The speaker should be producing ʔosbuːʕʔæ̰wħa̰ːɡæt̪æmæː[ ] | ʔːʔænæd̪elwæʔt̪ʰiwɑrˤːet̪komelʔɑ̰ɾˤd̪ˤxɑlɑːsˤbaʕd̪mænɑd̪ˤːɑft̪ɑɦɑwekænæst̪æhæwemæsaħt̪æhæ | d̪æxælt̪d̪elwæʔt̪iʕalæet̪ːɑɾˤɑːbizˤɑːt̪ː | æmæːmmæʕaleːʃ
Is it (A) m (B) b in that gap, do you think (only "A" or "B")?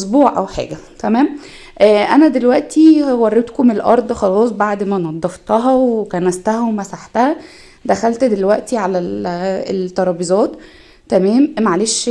A